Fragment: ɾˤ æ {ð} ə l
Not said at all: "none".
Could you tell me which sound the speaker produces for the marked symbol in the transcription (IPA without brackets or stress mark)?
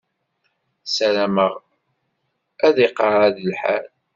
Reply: ð